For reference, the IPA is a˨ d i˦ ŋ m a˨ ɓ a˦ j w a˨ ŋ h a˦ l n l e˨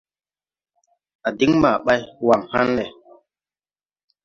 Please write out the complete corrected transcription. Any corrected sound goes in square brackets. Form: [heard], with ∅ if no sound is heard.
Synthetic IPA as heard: a˨ d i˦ ŋ m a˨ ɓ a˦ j w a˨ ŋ h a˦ [∅] n l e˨